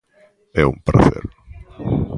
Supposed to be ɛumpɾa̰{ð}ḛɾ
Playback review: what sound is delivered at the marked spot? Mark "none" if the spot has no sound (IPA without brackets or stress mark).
θ